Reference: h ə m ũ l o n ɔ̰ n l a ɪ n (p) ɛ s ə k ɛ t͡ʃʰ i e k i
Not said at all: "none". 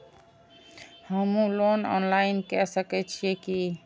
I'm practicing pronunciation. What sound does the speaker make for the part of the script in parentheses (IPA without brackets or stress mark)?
k